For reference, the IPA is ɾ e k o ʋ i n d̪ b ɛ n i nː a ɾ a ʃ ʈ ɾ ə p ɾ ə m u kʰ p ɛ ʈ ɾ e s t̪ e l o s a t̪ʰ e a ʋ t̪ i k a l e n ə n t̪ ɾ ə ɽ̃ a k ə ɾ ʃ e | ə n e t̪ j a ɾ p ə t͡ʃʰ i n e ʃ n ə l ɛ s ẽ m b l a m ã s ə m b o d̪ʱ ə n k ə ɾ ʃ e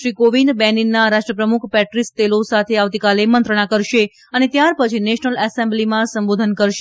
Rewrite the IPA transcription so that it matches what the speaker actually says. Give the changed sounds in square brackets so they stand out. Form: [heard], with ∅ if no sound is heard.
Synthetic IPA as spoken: ɾ [i] k o ʋ i n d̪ b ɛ n i nː a ɾ a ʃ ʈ ɾ ə p ɾ ə m u kʰ p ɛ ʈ ɾ [i] s t̪ e l o s a t̪ʰ e a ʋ t̪ i k a l e [m] ə n t̪ ɾ ə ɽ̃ a k ə ɾ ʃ e | ə n e t̪ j a ɾ p ə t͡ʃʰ i n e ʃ n ə l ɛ s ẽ m b l [i] m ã s ə m b o d̪ʱ ə n k ə ɾ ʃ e